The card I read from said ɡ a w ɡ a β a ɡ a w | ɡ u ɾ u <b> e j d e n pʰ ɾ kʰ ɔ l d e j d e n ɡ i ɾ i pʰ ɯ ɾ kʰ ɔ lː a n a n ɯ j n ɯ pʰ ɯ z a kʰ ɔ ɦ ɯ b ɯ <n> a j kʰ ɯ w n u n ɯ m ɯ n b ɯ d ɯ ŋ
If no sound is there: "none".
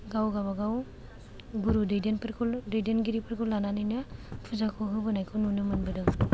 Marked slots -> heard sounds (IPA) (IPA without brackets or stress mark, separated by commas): d, n